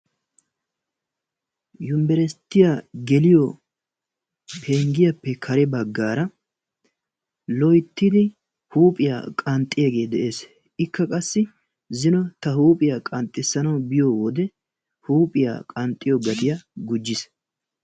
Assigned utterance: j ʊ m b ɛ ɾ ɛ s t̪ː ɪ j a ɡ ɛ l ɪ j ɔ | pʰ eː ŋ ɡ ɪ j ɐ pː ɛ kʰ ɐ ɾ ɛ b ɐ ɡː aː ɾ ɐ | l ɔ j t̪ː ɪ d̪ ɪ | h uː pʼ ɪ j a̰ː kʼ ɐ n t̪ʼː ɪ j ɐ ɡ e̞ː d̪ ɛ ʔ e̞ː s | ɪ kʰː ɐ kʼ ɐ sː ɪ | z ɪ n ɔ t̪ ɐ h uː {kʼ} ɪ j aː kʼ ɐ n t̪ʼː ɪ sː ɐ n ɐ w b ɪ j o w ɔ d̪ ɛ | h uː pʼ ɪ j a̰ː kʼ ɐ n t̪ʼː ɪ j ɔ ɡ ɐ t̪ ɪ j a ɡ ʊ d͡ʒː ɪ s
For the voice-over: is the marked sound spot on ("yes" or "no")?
no